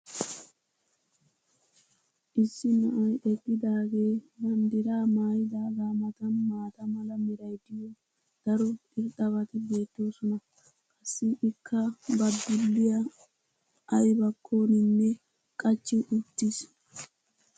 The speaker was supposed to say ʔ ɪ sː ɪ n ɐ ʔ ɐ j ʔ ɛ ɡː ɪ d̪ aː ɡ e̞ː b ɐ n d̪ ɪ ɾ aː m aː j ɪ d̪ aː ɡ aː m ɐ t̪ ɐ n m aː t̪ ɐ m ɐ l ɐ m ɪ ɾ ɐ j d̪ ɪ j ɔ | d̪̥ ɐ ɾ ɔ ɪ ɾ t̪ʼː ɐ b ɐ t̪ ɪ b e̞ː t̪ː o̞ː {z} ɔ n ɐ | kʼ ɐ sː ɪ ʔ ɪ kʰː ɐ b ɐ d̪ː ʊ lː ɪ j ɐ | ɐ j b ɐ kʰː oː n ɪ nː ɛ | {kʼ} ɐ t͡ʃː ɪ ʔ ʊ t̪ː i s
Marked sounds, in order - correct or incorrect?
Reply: incorrect: s, correct

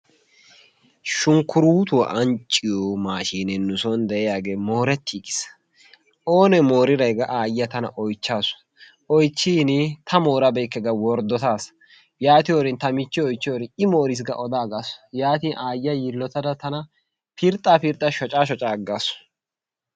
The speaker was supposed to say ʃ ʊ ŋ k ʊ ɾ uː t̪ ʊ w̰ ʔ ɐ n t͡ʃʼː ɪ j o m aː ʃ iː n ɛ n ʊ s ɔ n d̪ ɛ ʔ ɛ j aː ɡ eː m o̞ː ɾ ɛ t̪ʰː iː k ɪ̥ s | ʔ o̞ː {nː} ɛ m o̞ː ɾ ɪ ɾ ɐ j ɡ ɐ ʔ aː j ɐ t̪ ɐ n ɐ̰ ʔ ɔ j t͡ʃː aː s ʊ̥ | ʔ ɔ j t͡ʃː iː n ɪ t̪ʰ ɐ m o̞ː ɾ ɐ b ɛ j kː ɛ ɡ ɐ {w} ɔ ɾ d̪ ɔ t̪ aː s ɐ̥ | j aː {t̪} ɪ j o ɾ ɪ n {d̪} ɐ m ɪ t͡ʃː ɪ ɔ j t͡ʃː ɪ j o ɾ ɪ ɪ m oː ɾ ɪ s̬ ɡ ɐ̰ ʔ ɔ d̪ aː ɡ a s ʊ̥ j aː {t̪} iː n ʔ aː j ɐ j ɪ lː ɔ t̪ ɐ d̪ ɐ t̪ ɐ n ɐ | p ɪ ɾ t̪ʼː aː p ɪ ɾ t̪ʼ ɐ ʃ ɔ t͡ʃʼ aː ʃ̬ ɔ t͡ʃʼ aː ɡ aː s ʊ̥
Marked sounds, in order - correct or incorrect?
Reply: incorrect: n, correct, correct, incorrect: t̪, correct

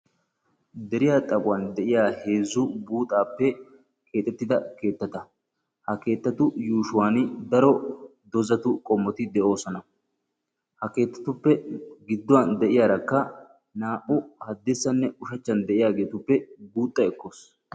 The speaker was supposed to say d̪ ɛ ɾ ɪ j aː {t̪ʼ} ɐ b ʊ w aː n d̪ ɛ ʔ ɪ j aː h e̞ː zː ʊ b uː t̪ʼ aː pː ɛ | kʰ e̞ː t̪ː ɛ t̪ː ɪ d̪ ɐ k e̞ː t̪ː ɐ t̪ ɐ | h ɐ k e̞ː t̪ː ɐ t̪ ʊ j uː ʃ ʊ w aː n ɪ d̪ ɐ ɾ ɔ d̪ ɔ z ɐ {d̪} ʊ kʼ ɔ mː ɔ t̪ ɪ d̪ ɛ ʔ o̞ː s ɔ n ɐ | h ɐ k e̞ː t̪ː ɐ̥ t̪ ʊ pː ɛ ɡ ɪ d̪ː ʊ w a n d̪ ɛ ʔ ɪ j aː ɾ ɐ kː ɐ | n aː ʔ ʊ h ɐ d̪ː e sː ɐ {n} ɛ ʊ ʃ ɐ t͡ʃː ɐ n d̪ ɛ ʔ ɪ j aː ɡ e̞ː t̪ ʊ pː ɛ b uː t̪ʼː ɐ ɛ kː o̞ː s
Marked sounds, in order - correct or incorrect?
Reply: correct, incorrect: t̪, incorrect: nː

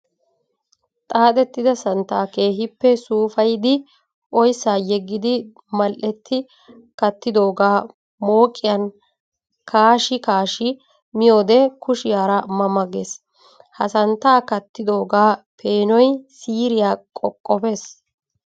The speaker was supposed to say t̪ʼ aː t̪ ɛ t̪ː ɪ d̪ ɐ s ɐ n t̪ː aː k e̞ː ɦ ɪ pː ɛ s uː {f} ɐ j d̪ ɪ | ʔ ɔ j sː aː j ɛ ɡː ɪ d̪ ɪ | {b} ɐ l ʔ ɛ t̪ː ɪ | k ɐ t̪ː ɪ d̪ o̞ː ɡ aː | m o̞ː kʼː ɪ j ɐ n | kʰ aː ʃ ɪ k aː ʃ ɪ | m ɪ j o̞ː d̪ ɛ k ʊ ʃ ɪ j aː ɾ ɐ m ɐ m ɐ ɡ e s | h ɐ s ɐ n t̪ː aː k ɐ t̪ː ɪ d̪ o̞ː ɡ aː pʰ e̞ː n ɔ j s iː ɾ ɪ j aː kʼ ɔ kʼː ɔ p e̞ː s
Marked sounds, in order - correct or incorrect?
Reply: correct, incorrect: m

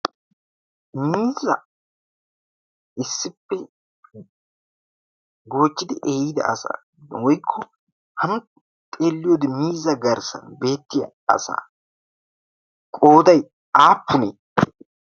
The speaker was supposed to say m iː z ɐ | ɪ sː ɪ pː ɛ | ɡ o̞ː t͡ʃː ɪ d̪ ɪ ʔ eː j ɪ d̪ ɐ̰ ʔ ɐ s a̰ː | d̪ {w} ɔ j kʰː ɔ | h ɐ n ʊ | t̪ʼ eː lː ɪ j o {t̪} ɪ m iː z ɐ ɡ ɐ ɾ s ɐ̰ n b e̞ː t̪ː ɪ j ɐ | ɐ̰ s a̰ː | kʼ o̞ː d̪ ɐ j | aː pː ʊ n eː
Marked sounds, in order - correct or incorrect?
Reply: correct, incorrect: d̪

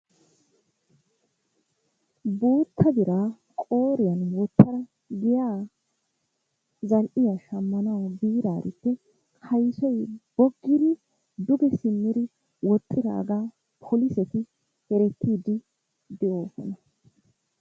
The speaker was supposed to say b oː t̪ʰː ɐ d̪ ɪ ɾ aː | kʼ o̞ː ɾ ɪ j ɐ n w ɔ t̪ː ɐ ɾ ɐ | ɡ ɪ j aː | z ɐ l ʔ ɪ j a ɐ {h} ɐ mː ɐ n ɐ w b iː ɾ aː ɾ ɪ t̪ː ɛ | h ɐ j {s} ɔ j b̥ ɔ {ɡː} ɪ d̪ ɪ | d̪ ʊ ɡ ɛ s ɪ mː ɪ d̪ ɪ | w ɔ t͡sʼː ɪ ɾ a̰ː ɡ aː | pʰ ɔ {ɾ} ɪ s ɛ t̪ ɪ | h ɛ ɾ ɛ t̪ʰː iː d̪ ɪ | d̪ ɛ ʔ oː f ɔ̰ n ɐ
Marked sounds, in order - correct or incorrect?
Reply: incorrect: ʃ, correct, correct, incorrect: l

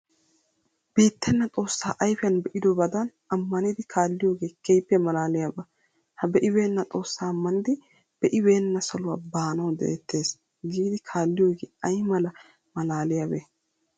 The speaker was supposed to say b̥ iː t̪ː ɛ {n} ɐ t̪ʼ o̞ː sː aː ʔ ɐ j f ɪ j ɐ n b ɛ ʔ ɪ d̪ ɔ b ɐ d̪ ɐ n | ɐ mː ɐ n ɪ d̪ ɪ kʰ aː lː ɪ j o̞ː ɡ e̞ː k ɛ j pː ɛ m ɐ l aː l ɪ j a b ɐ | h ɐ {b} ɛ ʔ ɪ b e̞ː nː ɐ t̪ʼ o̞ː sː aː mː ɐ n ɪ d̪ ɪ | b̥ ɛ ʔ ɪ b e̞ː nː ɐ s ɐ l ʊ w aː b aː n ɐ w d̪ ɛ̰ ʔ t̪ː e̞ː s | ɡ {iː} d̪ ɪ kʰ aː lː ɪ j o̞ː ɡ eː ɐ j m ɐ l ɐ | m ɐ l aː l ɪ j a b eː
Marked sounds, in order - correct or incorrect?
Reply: incorrect: nː, correct, correct

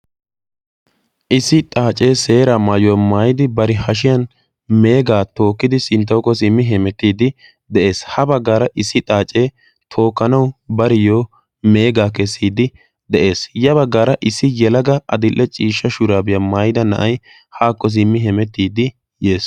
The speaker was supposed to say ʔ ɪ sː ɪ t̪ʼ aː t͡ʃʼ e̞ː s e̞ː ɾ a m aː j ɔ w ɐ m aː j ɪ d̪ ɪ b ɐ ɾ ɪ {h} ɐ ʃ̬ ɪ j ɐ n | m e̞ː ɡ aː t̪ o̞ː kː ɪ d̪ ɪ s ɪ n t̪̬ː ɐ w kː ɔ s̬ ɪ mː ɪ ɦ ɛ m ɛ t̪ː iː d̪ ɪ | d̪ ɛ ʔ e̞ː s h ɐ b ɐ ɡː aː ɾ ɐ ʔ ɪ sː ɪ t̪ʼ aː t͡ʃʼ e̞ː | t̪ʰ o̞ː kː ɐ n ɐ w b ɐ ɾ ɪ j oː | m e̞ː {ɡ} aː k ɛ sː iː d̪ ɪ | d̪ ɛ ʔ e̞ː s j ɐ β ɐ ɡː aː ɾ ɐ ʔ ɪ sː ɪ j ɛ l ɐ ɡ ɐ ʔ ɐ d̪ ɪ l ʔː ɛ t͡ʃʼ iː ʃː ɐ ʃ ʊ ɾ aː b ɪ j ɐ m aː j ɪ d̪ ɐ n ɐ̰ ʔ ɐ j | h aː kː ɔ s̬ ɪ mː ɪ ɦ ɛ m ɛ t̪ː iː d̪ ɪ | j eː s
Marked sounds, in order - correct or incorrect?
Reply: correct, correct

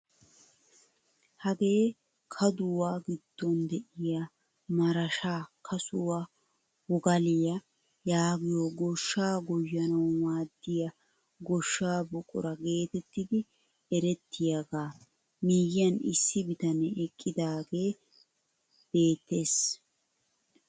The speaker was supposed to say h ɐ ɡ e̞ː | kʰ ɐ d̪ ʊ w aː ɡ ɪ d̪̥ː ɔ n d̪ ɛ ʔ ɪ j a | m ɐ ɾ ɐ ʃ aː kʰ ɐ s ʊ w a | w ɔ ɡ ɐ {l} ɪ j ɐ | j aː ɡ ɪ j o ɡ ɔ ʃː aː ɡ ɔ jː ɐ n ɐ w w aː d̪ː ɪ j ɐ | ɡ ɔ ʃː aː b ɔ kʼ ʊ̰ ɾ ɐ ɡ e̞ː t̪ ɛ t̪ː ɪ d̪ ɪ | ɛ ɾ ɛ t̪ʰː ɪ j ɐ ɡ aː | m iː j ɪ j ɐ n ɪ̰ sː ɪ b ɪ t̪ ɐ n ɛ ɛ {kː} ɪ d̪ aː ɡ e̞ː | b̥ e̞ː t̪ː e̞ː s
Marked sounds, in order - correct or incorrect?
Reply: correct, incorrect: kʼː

